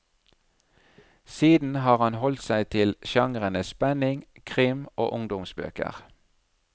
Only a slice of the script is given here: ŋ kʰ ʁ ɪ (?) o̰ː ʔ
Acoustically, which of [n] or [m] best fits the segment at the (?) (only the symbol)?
m